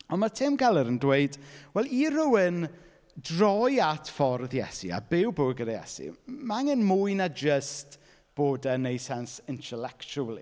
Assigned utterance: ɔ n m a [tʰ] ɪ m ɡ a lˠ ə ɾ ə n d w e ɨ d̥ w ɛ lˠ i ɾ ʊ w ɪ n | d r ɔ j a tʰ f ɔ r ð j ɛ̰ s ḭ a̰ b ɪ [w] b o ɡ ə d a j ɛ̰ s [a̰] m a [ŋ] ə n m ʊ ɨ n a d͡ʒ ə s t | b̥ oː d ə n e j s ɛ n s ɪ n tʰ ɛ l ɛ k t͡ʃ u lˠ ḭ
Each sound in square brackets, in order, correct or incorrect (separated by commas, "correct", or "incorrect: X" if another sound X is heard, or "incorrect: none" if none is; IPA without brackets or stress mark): correct, correct, incorrect: ḭ, correct